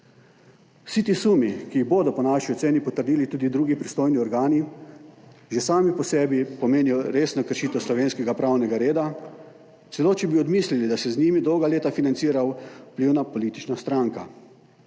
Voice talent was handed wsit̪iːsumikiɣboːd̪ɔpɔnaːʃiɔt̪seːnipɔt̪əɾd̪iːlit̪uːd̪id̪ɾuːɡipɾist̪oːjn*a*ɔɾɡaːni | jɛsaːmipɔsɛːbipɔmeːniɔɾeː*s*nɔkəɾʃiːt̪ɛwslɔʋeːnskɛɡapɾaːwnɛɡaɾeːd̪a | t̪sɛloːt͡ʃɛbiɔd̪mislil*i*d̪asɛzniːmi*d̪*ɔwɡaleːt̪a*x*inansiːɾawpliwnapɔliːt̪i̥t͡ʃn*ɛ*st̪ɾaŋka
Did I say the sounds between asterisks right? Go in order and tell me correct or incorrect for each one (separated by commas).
incorrect, correct, correct, correct, incorrect, incorrect